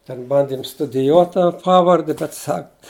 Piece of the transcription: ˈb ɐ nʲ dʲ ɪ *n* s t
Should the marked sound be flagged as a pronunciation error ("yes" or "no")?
yes